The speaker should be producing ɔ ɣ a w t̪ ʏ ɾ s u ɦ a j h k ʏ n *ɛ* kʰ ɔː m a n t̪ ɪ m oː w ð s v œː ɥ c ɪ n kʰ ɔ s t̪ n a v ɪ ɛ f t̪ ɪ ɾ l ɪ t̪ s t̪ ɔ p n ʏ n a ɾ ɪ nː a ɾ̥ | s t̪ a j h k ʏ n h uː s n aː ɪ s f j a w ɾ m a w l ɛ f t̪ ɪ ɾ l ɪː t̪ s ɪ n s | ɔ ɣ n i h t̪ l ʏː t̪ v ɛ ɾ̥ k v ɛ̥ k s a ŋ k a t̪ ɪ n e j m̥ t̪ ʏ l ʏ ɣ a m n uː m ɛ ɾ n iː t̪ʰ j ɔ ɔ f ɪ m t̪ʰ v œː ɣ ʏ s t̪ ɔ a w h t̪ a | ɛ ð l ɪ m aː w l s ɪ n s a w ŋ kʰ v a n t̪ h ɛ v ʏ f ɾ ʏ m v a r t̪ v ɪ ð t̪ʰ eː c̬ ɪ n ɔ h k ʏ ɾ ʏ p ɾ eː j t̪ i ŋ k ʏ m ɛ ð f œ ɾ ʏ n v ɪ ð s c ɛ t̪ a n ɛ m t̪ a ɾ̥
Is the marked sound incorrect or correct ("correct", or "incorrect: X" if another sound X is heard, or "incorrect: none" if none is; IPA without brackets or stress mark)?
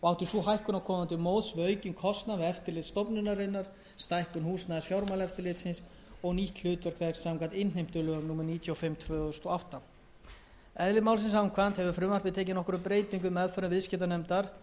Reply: incorrect: a